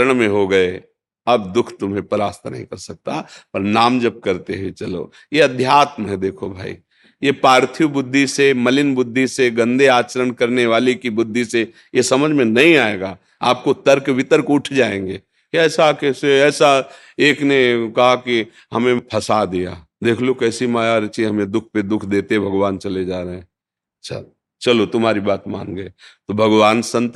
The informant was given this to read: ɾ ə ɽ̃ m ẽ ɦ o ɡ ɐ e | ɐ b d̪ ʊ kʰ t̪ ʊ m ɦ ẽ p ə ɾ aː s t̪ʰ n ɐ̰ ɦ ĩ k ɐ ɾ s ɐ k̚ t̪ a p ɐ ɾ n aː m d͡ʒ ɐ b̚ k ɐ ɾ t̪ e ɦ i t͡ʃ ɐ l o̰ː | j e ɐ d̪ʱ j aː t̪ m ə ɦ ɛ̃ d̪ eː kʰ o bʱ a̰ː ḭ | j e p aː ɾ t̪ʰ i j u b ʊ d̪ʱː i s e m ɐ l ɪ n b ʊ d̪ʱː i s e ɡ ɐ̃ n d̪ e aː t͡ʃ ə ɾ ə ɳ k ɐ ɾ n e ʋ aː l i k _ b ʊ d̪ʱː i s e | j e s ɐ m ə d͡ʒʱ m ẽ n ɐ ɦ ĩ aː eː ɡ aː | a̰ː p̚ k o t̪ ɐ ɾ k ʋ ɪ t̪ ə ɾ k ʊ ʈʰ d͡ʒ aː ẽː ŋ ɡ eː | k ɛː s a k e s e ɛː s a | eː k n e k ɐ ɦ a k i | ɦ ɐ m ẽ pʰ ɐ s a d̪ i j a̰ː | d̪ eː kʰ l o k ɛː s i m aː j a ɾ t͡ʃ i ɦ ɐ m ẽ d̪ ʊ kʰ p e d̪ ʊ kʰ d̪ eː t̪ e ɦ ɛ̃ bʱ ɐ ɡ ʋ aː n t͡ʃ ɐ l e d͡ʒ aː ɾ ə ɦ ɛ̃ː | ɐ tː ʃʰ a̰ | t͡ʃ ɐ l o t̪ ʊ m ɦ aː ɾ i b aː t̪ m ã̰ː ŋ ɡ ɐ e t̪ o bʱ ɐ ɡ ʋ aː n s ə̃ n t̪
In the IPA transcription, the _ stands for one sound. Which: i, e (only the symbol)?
i